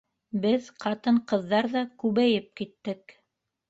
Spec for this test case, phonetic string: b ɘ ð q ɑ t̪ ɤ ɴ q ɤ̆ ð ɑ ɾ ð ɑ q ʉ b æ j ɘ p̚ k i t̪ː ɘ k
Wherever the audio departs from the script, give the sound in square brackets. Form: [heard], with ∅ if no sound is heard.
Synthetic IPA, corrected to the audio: b ɘ ð q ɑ t̪ ɤ ɴ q ɤ̆ [ðː] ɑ ɾ ð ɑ [k] ʉ [β] æ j ɘ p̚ k i t̪ː ɘ k